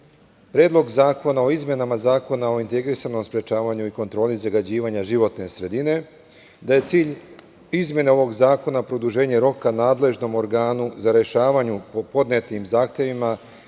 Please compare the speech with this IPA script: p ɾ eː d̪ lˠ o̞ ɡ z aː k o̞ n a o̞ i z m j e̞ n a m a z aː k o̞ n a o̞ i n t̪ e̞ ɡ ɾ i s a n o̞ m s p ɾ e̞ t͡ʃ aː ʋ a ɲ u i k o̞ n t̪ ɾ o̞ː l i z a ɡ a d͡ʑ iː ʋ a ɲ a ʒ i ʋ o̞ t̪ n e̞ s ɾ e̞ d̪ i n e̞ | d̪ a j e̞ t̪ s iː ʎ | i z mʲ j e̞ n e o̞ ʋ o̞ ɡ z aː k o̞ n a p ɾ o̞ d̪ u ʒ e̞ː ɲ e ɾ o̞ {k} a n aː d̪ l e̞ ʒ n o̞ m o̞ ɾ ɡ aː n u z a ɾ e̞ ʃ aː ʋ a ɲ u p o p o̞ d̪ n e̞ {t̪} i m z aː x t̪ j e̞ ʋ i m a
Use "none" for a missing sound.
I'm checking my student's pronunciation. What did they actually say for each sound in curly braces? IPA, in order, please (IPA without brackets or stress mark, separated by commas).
k, t̪